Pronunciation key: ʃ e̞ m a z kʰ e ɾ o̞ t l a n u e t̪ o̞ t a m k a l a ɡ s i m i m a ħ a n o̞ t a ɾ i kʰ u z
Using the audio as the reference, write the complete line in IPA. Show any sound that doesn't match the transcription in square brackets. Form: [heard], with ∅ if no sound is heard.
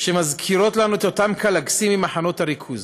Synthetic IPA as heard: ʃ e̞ m a z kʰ [i] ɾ o̞ t l a n u e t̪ o̞ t a m k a l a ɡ s i m i m a ħ a n o̞ t a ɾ i kʰ u z